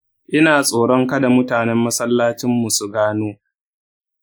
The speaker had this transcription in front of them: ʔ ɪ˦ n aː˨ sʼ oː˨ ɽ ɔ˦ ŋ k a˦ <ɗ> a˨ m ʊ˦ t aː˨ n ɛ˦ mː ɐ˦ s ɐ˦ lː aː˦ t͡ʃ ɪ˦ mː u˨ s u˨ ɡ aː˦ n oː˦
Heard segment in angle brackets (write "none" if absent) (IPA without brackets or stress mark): d